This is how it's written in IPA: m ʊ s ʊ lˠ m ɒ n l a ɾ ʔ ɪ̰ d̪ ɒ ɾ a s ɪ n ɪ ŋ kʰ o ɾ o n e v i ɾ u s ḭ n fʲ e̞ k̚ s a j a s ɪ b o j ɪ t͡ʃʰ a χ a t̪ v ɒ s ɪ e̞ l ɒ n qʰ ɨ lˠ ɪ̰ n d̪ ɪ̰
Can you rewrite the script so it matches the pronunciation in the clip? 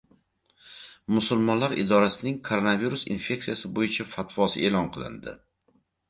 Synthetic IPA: m ʊ s ʊ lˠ m ɒ n l a ɾ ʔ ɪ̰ d̪ ɒ ɾ a s ɪ n ɪ ŋ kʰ o ɾ o n a v i ɾ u s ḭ n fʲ e̞ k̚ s i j a s ɪ b o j ɪ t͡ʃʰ a f a t̪ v ɒ s ɪ e̞ l ɒ n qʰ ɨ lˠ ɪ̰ n d̪ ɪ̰